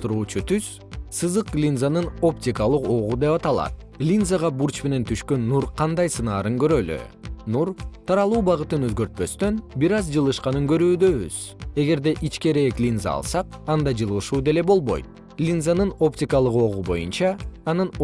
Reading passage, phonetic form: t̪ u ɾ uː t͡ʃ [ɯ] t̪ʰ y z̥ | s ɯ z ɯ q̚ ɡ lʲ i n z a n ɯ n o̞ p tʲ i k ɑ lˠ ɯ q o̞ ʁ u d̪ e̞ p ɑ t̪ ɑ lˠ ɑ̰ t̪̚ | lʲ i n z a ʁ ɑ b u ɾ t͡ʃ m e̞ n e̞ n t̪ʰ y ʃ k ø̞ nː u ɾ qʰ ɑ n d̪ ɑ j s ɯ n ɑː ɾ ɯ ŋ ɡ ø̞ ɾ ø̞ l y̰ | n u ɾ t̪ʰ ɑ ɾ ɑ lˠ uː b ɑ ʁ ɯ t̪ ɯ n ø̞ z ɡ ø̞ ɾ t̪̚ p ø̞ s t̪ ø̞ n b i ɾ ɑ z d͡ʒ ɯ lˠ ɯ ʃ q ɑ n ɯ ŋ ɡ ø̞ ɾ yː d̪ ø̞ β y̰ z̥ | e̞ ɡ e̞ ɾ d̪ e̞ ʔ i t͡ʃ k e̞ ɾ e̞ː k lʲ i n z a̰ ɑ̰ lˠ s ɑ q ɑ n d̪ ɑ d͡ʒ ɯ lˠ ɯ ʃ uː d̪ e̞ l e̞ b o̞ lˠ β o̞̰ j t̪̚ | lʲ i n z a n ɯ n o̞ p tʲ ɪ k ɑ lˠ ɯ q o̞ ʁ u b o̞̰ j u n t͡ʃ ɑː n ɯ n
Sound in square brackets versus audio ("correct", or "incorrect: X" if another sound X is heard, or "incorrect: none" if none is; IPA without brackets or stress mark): incorrect: u